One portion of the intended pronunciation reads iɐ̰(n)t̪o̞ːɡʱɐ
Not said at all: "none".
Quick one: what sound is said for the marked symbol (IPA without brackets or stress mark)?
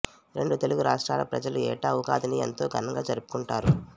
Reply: n